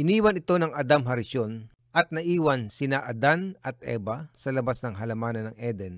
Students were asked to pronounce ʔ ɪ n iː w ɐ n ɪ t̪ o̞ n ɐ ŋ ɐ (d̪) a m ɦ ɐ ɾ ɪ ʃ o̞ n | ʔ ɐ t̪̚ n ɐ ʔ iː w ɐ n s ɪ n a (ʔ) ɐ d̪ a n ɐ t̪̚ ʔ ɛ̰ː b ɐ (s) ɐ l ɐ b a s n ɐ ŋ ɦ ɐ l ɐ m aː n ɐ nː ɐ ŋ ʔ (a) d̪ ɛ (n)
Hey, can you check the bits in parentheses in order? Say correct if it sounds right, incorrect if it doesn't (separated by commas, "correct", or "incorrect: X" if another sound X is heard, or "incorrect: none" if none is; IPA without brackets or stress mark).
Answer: correct, correct, correct, incorrect: ɛ, correct